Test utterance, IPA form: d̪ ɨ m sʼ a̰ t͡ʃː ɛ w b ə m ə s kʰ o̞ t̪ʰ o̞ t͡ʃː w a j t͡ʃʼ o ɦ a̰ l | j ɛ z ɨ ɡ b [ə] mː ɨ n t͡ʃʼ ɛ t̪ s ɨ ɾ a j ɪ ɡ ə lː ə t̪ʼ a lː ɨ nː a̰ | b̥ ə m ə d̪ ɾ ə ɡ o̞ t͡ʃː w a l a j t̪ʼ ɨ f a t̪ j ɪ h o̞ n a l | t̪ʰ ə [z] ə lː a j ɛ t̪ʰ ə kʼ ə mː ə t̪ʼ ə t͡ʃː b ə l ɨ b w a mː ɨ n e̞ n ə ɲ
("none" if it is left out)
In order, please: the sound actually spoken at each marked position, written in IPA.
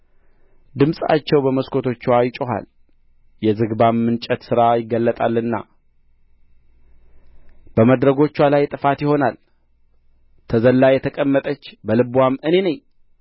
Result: a, z

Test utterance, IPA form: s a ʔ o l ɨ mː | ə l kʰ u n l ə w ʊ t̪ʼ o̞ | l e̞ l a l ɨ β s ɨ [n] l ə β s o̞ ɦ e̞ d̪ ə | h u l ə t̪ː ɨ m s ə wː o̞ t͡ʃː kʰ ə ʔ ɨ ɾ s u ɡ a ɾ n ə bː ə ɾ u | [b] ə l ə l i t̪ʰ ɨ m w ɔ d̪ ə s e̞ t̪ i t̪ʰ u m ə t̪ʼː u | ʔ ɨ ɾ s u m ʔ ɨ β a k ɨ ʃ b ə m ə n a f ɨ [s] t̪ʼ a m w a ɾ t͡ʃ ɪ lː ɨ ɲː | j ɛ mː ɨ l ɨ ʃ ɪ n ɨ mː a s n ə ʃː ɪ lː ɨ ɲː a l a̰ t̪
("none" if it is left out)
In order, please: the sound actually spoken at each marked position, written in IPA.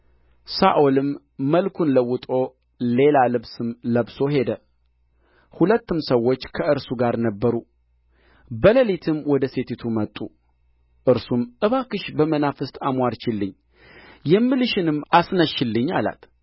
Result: m, b, s

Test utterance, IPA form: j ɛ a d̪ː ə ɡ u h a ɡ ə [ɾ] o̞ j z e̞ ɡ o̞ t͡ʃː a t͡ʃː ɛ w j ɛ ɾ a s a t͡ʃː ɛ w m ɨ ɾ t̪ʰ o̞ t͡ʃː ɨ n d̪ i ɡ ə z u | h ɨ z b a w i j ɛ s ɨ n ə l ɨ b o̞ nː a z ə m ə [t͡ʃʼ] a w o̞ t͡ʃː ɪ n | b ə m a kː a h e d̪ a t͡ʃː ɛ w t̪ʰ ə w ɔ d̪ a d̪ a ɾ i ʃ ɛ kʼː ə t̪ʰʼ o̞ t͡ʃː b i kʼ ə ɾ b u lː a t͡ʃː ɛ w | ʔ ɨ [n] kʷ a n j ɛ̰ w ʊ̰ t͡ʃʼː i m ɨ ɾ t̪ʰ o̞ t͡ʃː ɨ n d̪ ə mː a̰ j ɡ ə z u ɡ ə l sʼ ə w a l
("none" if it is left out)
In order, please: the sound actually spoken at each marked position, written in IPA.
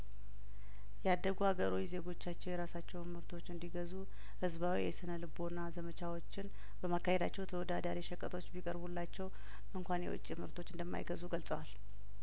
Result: ɾ, t͡ʃ, ŋ

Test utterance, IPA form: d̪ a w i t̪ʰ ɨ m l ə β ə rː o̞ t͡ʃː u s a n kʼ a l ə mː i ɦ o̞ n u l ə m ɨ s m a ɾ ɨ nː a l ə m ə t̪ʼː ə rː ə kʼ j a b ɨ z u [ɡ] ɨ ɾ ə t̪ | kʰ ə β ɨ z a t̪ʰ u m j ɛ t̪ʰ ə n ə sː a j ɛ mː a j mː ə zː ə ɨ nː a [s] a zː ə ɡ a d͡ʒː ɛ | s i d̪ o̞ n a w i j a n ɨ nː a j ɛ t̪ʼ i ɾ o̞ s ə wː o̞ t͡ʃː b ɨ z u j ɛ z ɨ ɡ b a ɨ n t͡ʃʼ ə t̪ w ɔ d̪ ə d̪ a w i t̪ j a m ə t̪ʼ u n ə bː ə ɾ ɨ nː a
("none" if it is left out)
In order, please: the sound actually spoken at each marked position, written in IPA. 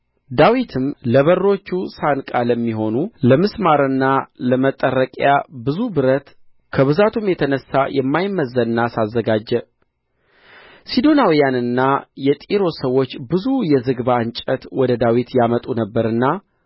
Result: b, s

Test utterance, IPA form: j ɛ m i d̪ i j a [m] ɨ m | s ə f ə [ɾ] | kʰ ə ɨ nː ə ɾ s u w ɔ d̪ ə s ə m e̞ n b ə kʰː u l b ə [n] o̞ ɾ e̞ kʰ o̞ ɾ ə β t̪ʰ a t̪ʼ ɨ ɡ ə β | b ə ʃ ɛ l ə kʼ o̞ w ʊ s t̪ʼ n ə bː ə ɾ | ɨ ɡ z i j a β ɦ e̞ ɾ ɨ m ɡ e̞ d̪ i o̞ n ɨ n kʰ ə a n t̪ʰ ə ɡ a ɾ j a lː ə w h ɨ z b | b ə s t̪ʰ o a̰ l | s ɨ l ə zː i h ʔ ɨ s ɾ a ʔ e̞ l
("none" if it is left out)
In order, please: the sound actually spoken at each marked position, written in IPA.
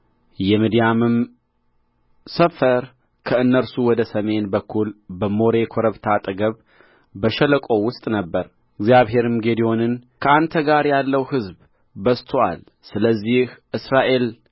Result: m, ɾ, m

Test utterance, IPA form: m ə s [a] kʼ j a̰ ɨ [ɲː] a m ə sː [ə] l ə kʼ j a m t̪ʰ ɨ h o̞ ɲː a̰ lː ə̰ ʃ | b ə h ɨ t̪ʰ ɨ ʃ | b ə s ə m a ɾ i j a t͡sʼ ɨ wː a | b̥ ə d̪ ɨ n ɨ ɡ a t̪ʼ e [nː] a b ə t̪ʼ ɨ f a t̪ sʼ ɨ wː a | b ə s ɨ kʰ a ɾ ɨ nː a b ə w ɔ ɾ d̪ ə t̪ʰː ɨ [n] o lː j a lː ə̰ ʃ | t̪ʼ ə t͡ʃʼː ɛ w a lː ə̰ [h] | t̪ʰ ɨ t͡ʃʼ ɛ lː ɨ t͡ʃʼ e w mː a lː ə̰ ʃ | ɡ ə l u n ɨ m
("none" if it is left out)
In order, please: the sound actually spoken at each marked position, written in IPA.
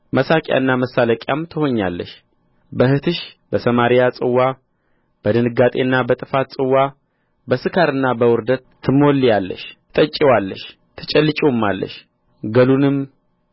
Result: a, nː, a, nː, m, ʃ

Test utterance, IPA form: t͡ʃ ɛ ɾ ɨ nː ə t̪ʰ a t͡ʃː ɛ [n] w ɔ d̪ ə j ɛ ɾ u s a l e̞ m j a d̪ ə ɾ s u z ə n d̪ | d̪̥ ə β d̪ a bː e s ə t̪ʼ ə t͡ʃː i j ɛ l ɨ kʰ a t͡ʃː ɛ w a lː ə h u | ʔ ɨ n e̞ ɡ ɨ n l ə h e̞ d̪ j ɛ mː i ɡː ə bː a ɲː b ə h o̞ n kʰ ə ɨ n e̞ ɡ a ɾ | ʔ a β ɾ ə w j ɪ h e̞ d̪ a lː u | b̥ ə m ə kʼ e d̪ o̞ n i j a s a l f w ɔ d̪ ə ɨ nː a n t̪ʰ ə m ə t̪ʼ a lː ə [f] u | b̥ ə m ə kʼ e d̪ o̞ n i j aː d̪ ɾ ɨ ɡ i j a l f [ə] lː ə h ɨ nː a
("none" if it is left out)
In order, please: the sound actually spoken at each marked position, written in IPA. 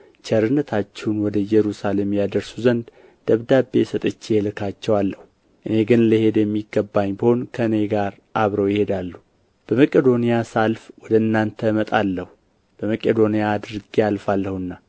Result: n, h, a

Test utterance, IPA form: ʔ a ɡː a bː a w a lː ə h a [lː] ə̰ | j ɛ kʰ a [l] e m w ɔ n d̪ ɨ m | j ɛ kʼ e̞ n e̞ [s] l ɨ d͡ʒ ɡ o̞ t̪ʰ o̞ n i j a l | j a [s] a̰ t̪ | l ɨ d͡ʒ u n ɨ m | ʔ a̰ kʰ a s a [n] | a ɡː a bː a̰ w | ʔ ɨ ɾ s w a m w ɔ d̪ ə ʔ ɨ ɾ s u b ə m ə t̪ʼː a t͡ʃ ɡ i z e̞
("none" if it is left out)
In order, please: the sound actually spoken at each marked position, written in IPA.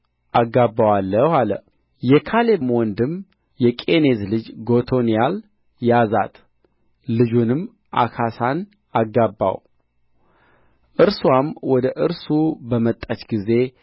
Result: l, l, z, z, n

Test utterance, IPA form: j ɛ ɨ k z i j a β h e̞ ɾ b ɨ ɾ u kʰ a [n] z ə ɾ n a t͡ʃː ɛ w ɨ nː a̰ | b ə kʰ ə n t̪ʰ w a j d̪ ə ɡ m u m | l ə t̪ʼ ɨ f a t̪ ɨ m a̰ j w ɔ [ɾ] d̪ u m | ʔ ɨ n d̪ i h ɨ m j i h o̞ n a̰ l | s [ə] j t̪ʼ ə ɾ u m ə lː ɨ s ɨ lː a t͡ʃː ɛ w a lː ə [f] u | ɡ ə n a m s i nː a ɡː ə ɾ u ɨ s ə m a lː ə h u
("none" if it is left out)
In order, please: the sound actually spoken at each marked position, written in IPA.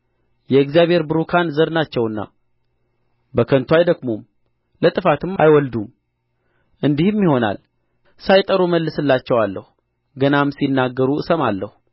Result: n, l, a, h

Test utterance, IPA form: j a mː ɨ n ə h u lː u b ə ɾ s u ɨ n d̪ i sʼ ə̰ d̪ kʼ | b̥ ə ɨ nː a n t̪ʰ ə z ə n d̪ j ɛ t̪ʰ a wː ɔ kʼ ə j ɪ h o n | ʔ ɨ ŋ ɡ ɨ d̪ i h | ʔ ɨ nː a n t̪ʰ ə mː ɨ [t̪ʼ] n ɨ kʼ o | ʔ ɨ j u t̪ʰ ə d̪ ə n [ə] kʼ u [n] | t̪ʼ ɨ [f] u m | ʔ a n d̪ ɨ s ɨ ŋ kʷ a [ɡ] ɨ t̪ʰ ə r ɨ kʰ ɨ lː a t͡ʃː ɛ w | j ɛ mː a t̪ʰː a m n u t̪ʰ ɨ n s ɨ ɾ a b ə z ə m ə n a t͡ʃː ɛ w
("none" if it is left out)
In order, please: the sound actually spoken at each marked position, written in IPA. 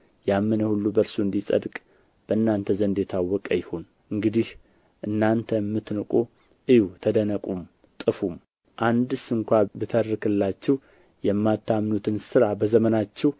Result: t̪, ə, m, f, b

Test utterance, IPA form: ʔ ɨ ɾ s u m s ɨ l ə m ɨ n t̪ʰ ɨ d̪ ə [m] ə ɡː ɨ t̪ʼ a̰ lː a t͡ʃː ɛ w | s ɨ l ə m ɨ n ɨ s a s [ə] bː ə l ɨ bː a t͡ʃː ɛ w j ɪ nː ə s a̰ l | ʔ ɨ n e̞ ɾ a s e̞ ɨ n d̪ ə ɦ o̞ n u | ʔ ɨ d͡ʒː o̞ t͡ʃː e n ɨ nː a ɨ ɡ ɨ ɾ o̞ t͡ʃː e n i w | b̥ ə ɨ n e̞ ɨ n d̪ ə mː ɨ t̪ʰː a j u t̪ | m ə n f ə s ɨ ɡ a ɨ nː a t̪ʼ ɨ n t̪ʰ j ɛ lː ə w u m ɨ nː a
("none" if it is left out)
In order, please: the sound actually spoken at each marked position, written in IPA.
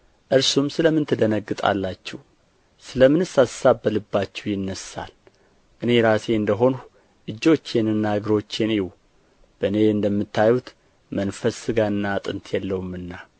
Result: n, a

